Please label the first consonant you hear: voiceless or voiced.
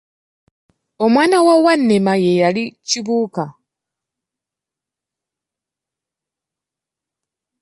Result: voiced